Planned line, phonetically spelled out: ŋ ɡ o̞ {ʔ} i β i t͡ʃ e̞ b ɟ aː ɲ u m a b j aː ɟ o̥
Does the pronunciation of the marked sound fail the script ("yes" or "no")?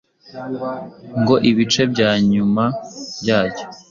no